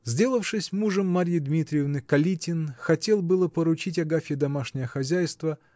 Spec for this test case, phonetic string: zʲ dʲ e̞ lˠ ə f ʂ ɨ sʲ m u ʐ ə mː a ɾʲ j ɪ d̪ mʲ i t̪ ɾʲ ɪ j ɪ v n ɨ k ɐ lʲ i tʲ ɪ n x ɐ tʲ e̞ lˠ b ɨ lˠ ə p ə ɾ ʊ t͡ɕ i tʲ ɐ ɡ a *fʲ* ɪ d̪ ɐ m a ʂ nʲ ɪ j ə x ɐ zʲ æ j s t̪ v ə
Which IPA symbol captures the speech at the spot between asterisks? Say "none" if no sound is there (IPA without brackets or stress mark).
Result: fʲ